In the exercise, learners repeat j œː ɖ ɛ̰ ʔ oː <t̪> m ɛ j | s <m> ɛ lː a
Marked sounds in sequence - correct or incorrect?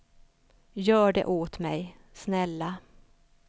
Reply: correct, incorrect

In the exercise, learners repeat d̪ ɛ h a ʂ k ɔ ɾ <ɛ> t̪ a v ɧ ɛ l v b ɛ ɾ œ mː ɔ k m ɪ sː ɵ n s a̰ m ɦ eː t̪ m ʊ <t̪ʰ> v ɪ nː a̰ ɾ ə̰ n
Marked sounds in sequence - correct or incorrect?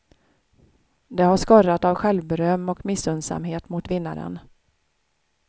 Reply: incorrect, incorrect

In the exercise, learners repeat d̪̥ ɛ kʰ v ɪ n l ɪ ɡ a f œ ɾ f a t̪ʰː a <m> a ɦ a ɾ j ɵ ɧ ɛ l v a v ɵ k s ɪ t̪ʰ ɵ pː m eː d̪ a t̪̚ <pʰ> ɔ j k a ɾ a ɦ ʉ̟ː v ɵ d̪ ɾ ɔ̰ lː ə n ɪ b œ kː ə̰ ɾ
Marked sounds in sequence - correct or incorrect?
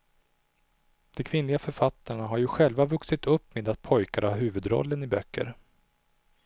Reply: incorrect, correct

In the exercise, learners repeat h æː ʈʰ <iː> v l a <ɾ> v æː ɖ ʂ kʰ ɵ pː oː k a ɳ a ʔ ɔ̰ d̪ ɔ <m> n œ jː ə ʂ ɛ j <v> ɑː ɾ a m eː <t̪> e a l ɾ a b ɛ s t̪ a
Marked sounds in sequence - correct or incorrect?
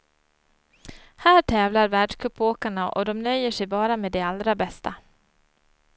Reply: incorrect, correct, correct, incorrect, incorrect

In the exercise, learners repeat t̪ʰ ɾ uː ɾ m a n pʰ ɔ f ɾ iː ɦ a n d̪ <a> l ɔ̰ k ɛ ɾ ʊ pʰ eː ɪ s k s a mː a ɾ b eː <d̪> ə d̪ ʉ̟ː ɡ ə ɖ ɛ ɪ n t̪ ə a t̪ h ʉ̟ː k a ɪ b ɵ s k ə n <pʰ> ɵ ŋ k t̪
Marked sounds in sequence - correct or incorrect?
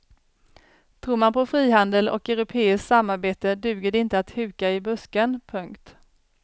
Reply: incorrect, incorrect, correct

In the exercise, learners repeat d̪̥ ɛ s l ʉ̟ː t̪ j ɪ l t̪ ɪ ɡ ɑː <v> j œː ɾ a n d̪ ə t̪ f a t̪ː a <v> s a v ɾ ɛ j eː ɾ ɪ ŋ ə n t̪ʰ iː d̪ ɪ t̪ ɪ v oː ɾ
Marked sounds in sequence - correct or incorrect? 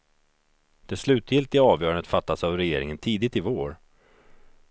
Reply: correct, incorrect

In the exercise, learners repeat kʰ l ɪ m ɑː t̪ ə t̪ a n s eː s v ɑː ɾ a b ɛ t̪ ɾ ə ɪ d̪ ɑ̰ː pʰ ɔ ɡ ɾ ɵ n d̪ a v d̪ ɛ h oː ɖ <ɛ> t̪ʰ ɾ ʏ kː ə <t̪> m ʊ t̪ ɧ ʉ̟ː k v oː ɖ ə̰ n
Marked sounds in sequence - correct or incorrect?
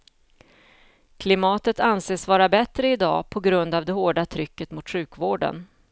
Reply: incorrect, correct

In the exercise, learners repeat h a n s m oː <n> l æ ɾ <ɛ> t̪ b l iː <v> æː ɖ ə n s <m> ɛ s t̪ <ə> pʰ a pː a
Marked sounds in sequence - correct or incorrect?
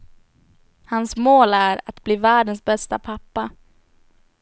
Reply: incorrect, incorrect, correct, incorrect, incorrect

